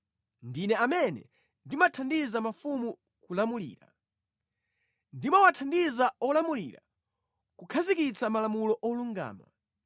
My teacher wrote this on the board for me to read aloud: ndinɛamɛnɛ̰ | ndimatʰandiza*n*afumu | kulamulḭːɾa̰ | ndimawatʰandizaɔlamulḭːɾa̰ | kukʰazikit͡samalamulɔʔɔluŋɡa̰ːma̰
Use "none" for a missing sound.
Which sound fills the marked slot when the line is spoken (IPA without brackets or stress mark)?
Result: m